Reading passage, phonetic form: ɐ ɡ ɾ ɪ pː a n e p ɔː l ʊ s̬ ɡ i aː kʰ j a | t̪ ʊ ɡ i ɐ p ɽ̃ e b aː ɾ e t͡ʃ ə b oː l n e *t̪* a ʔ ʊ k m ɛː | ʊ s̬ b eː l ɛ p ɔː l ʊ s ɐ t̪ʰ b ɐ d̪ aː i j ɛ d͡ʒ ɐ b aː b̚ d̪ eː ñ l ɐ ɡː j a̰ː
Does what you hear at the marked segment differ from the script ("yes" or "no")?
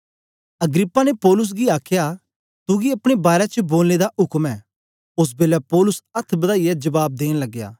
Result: yes